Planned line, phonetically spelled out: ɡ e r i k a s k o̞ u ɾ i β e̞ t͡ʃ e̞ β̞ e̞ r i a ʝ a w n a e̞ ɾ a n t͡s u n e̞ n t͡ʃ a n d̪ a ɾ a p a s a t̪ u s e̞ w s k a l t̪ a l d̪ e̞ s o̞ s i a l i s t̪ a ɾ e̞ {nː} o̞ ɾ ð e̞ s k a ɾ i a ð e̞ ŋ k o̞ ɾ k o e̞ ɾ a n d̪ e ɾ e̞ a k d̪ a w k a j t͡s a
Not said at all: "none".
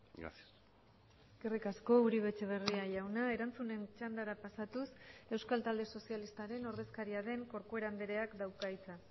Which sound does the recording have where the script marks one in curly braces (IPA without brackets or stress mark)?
n